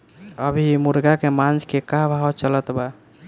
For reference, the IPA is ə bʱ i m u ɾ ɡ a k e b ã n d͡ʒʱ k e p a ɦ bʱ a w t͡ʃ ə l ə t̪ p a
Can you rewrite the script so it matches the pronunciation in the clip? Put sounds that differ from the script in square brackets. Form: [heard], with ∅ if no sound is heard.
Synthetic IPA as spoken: ə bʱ i m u ɾ ɡ a k e [m] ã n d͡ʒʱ k e [k] a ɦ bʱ a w t͡ʃ ə l ə t̪ [b] a

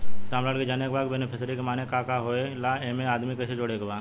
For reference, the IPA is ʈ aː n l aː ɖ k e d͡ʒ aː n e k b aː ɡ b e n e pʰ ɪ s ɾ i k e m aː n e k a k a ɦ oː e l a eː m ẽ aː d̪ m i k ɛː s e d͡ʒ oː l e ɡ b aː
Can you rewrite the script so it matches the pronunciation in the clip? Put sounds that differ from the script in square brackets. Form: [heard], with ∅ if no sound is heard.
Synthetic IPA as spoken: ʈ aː [m] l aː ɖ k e d͡ʒ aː n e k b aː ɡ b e n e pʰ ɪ s ɾ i k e m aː n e k a k a ɦ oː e l a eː m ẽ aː d̪ m i k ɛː s e d͡ʒ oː [ɽ] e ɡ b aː

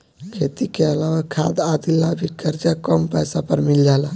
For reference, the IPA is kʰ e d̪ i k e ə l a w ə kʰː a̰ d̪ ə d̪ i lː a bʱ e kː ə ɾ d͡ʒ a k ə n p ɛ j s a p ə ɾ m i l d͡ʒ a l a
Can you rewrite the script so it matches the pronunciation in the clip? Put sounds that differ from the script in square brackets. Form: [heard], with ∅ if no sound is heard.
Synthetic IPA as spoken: kʰ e [t̪] i k e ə l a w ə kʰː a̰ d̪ [a] d̪ i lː a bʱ [i] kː ə ɾ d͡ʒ a k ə [m] p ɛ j s a p ə ɾ m i l d͡ʒ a l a

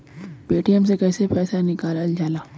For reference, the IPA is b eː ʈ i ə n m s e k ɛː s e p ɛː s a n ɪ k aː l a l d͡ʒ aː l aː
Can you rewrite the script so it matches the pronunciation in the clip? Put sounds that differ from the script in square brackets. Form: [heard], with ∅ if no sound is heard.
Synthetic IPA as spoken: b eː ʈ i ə [∅] m s e k ɛː s e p ɛː s a n ɪ k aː l a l d͡ʒ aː l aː

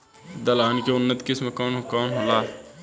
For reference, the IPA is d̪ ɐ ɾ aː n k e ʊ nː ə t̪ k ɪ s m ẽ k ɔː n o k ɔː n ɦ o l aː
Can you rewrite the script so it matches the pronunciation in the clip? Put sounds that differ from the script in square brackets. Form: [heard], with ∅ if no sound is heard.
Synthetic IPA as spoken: d̪ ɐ [l] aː n k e ʊ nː ə t̪ k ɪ s m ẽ k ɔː n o k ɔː n ɦ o l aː

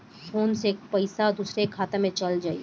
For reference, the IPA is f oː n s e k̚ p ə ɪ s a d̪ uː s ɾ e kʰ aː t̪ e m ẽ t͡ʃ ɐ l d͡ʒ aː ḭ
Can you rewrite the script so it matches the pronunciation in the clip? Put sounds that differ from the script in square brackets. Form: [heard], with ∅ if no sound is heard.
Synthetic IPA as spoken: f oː n s e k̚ p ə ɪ s a d̪ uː s ɾ e kʰ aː t̪ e m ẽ t͡ʃ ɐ l d͡ʒ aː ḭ

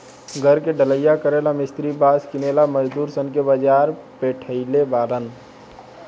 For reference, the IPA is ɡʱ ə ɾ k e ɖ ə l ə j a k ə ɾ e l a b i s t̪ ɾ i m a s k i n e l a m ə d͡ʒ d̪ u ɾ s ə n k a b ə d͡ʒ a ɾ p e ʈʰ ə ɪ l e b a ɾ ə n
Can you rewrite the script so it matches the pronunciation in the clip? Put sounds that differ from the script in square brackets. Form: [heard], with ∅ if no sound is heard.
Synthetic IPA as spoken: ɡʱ ə ɾ k e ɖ ə l ə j a k ə ɾ e l a [m] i s t̪ ɾ i [b] a s k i n e l a m ə d͡ʒ d̪ u ɾ s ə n k [e] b ə d͡ʒ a ɾ p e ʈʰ ə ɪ l e b a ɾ ə n

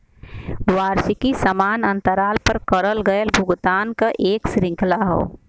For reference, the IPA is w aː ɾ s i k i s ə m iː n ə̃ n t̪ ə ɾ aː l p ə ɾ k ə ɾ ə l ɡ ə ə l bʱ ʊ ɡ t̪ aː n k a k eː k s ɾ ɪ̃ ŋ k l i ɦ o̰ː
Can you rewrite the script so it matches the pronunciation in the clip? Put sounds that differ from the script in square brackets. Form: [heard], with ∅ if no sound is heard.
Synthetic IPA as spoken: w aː ɾ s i k i s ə m [aː] n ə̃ n t̪ ə ɾ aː l p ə ɾ k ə ɾ ə l ɡ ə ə l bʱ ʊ ɡ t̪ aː n k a [ʔ] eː k s ɾ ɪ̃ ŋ k l [a] ɦ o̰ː

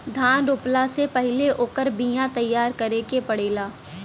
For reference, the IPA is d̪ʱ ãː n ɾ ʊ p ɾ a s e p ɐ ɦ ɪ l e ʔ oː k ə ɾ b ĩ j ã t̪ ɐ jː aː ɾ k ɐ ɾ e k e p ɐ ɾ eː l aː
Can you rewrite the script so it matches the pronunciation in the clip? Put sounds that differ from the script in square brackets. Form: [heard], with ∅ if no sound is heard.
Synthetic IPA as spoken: d̪ʱ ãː n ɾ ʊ p [l] a s e p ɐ ɦ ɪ l e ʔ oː k ə ɾ b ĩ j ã t̪ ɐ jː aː ɾ k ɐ ɾ e k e p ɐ [ɽ] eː l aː

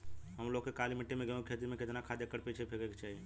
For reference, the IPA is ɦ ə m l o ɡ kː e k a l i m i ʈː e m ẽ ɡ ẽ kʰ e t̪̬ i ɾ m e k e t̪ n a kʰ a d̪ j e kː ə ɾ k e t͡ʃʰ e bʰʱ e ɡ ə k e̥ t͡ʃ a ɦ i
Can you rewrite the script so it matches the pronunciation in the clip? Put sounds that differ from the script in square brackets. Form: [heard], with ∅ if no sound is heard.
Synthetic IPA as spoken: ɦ ə m l o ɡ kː e k a l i m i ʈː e m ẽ ɡ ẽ kʰ e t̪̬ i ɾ m e k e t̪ n a kʰ a d̪ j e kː ə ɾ [p] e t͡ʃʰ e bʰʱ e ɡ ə k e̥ t͡ʃ a ɦ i

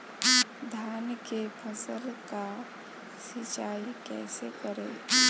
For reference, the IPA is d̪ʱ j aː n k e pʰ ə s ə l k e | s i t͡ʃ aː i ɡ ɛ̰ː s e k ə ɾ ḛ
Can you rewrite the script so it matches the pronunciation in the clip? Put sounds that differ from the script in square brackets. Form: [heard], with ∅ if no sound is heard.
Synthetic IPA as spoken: d̪ʱ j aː n k e pʰ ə s ə l k [a] | s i t͡ʃ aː i [k] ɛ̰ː s e k ə ɾ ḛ

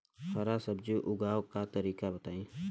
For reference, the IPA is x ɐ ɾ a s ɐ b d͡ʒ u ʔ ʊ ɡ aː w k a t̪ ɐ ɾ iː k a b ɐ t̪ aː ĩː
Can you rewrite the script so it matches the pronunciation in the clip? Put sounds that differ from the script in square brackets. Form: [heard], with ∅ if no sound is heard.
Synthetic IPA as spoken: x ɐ ɾ a s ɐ b d͡ʒ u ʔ ʊ ɡ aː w k a t̪ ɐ ɾ iː k a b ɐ t̪ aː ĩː

